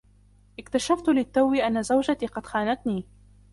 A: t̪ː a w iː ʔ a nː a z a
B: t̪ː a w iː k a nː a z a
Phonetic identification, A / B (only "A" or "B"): A